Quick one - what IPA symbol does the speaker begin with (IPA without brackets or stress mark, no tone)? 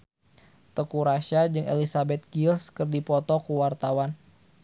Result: t̪